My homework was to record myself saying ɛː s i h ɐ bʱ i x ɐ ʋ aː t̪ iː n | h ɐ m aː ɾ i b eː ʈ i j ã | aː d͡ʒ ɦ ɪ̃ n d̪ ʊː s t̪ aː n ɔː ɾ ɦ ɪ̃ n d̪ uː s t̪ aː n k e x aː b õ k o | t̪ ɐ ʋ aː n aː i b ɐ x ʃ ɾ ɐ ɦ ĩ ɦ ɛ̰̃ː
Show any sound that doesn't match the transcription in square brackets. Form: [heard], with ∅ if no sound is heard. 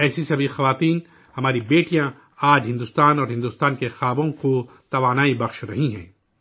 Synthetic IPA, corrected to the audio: ɛː s i [s] ɐ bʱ i x ɐ ʋ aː t̪ iː n | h ɐ m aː ɾ i b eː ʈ i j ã | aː d͡ʒ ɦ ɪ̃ n d̪ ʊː s t̪ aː n ɔː ɾ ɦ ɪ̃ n d̪ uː s t̪ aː n k e x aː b õ k o | t̪ ɐ ʋ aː n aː i b ɐ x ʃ ɾ ɐ ɦ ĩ ɦ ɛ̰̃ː